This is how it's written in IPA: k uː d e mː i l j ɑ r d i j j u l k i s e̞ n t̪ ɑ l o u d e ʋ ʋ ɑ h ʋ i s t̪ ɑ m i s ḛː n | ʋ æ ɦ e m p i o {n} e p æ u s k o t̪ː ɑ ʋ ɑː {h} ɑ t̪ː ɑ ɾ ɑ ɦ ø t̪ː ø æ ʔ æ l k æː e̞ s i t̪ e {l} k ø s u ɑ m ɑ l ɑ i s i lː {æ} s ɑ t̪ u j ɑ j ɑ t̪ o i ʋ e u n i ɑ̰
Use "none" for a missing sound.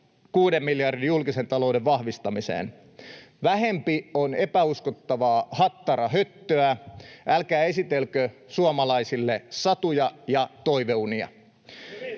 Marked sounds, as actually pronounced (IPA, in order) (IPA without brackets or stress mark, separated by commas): n, h, l, e